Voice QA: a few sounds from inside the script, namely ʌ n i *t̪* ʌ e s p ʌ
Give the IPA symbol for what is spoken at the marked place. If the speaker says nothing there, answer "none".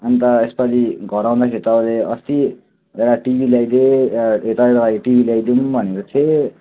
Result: t̪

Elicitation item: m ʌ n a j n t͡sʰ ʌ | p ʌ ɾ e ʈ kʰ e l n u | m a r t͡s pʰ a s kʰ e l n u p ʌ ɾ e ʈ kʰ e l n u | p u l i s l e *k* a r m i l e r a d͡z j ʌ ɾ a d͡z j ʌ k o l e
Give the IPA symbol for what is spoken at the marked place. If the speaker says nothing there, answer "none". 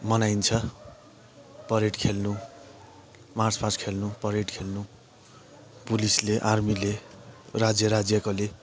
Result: ʔ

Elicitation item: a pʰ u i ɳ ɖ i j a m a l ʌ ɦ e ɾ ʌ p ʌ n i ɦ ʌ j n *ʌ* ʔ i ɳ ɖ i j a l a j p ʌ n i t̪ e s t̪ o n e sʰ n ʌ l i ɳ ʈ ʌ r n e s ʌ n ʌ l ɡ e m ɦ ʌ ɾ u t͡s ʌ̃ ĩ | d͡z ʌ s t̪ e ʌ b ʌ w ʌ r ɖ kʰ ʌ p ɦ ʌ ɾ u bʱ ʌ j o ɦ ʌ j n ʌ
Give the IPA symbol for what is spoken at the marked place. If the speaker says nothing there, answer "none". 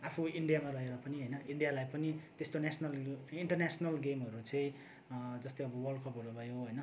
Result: ʌ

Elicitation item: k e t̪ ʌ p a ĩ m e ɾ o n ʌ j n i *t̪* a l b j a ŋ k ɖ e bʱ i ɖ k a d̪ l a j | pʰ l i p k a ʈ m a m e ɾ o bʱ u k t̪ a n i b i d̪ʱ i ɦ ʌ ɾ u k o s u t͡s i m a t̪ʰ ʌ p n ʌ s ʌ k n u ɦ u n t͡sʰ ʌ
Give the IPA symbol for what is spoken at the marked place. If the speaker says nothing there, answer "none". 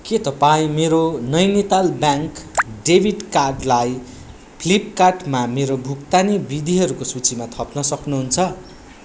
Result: t̪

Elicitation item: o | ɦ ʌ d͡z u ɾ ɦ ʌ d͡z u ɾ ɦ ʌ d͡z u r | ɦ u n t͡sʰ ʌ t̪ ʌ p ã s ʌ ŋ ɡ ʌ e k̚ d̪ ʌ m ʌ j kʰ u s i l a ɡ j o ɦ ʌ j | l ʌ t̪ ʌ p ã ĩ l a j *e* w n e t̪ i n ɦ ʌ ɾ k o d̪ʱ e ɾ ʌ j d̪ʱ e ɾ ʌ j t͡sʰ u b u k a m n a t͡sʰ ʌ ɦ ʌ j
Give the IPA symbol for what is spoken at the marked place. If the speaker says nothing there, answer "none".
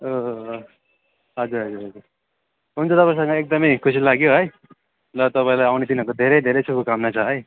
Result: a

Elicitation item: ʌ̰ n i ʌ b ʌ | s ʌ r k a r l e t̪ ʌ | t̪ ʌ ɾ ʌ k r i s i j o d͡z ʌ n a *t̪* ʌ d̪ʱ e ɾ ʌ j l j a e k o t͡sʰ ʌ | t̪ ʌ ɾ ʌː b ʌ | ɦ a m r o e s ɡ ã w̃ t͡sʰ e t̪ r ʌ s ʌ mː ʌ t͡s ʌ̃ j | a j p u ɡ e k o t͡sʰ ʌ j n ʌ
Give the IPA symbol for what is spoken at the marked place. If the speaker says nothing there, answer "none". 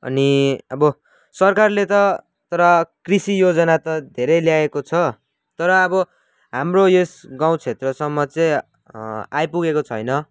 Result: t̪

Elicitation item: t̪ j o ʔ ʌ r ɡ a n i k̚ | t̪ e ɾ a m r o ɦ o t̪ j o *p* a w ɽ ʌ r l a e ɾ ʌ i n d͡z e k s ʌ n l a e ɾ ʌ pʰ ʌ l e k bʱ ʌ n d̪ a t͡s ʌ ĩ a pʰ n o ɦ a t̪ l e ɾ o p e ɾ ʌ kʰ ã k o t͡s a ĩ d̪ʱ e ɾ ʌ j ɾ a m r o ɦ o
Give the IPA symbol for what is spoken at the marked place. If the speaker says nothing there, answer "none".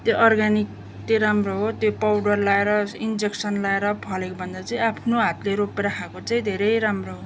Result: p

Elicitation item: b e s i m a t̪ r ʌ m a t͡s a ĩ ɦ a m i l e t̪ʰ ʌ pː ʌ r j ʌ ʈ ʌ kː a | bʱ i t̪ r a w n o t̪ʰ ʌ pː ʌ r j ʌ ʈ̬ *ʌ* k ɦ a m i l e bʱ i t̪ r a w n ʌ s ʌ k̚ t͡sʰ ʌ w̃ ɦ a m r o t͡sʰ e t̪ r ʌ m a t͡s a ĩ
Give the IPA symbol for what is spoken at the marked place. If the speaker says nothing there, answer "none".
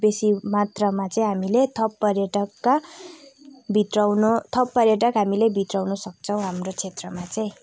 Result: ʌ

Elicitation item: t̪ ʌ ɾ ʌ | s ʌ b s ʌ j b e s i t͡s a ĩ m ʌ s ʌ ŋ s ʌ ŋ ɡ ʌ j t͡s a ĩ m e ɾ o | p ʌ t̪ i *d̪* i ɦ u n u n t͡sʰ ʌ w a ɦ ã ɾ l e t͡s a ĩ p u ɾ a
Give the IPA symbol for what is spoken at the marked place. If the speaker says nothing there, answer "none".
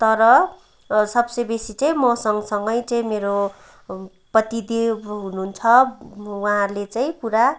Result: d̪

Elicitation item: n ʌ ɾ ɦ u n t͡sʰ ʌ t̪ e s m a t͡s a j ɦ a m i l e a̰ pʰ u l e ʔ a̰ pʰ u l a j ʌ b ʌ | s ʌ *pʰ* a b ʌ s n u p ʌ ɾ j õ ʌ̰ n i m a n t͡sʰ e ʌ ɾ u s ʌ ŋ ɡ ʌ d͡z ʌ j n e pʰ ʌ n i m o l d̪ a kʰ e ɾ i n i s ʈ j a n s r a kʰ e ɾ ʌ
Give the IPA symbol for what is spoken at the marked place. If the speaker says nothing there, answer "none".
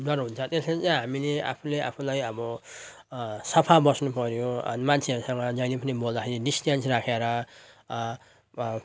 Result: pʰ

